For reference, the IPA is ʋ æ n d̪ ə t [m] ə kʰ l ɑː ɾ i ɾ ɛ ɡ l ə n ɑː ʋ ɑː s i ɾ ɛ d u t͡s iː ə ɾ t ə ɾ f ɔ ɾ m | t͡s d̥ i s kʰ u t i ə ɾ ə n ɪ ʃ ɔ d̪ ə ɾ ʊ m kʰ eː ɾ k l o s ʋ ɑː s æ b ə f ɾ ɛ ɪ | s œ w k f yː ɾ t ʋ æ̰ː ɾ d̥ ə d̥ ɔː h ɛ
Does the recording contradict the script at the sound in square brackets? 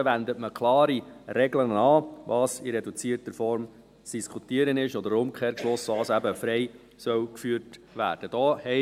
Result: no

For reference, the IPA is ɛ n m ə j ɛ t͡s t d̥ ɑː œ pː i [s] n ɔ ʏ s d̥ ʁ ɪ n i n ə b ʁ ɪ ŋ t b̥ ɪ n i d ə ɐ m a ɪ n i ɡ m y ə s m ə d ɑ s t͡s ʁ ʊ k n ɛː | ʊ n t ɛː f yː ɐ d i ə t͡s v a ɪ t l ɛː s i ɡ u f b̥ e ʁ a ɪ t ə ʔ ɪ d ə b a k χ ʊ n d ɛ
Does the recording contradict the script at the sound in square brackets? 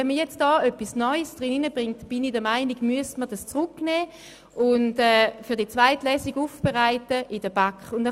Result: no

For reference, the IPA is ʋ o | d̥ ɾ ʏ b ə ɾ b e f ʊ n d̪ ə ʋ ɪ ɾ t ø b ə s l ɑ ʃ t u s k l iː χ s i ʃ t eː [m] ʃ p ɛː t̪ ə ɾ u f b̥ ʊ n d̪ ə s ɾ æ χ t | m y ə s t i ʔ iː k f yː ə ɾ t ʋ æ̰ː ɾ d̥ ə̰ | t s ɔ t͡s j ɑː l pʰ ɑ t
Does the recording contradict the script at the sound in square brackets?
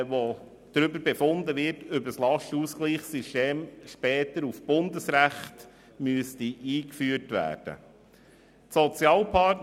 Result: no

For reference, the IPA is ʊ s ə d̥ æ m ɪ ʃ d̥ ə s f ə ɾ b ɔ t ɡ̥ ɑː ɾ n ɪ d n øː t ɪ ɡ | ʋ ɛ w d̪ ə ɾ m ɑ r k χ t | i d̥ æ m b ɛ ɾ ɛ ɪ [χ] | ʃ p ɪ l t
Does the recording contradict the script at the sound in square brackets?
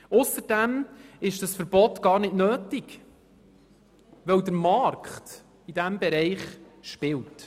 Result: no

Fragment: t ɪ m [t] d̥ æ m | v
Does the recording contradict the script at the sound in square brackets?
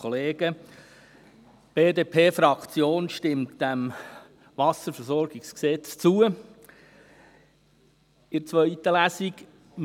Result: no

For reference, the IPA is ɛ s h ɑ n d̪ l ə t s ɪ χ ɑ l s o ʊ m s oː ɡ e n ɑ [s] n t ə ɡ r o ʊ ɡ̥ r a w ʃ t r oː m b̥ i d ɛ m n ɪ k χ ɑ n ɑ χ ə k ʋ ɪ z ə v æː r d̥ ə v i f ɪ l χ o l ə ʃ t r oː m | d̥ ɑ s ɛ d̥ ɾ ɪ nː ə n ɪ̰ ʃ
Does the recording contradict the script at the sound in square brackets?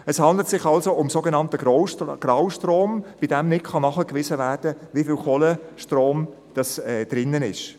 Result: yes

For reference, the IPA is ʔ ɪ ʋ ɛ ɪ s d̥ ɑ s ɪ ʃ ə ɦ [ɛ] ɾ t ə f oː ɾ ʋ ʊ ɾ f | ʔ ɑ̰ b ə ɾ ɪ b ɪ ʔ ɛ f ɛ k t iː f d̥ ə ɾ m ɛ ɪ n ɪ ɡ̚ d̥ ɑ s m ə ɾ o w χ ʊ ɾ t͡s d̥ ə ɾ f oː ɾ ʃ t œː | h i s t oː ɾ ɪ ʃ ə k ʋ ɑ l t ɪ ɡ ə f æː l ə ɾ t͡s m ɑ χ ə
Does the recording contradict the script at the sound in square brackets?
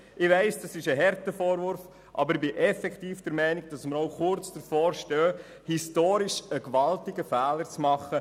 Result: no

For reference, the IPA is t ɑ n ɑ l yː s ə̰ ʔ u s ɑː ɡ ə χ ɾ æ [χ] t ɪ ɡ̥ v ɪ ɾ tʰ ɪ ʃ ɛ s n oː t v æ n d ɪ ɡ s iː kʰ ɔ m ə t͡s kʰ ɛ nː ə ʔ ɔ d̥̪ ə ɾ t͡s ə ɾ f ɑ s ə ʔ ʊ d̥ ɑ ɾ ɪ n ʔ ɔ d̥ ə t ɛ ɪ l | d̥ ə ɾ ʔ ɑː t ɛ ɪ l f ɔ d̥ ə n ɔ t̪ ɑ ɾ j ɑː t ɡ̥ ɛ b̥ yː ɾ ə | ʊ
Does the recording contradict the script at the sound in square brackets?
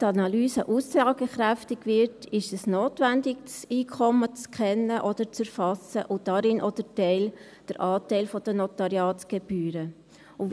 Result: yes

